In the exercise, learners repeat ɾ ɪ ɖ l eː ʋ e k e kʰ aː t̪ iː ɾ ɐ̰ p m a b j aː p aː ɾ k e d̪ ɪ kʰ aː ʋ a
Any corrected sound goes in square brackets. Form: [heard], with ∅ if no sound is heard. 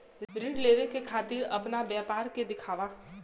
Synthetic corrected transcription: ɾ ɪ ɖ l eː ʋ e k e kʰ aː t̪ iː ɾ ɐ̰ p [n] a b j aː p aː ɾ k e d̪ ɪ kʰ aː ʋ a